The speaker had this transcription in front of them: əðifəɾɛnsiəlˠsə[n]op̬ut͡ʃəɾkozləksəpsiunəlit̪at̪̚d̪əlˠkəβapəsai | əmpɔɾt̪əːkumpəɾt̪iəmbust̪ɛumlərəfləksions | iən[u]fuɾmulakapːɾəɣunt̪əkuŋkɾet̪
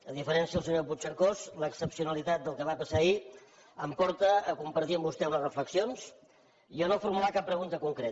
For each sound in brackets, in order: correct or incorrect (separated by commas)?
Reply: incorrect, incorrect